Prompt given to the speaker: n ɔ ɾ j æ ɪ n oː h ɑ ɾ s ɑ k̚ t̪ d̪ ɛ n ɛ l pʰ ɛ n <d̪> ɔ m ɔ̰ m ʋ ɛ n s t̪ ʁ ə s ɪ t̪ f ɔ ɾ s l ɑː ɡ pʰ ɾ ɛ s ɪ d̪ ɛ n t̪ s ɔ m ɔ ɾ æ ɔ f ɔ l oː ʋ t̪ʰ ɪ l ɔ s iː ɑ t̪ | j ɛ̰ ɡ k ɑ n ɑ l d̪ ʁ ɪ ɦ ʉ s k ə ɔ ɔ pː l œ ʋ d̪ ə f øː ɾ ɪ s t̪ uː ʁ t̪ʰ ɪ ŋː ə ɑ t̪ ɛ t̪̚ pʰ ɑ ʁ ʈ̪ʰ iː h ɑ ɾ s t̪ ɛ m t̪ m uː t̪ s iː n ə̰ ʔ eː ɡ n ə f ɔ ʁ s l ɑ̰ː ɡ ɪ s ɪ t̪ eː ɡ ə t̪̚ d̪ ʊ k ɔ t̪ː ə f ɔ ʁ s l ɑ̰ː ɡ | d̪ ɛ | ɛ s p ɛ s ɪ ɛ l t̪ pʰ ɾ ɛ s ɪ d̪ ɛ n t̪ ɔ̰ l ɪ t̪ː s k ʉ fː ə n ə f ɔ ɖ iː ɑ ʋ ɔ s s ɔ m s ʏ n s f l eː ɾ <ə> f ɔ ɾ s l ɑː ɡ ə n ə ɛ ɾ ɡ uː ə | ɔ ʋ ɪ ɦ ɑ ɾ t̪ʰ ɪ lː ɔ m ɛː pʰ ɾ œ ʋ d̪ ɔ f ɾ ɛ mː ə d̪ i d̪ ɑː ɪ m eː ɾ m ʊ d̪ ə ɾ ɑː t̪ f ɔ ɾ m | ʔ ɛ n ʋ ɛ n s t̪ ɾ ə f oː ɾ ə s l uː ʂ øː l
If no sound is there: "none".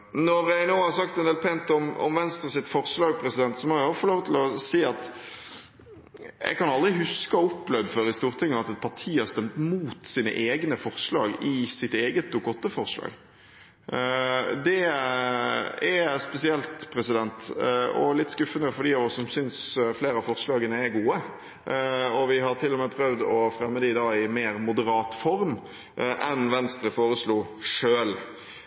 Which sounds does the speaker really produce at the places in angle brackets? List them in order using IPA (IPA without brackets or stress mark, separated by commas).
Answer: t̪, ɑ